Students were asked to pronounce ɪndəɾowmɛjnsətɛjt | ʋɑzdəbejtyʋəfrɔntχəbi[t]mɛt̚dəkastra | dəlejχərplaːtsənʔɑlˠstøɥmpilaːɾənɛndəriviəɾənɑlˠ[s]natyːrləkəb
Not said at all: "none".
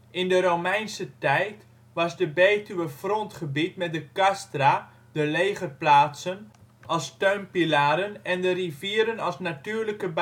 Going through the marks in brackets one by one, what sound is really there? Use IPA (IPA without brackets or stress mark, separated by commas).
t, s